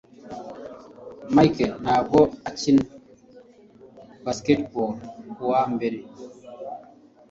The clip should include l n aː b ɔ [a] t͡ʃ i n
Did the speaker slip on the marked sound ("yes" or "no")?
no